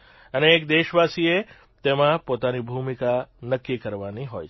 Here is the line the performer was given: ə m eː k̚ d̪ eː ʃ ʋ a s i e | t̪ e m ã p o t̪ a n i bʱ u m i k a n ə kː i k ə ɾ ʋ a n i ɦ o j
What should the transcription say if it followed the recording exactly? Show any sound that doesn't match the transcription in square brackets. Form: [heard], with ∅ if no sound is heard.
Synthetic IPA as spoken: ə [n] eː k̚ d̪ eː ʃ ʋ a s i e | t̪ e m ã p o t̪ a n i bʱ u m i k a n ə kː i k ə ɾ ʋ a n i ɦ o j